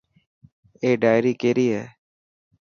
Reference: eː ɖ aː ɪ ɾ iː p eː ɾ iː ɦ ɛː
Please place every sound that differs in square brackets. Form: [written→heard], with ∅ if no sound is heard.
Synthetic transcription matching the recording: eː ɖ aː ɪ ɾ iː [p→k] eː ɾ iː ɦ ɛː